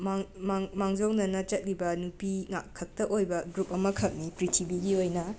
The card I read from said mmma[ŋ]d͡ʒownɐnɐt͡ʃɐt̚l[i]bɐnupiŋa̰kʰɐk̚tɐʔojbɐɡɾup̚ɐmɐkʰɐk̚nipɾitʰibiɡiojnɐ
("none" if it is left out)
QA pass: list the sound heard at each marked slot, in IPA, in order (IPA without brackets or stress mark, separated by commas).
ŋ, i